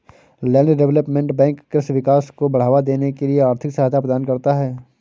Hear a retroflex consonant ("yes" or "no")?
yes